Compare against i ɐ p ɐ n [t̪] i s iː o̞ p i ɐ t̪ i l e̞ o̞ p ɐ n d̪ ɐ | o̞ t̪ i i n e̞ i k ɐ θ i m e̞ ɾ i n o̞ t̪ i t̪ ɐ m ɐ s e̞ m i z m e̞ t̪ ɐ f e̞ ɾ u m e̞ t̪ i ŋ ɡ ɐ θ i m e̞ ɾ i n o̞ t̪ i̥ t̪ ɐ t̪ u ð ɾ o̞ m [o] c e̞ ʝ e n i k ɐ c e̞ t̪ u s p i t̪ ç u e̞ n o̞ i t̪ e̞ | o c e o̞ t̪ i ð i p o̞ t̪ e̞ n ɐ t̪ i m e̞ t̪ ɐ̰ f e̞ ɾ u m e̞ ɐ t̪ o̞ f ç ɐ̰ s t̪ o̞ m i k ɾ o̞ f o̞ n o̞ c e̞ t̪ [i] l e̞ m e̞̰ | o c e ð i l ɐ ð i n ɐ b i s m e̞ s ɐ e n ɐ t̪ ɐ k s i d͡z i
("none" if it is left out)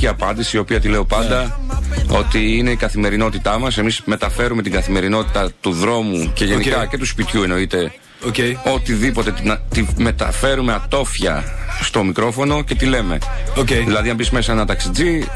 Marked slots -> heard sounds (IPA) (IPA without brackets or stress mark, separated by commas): d̪, u, i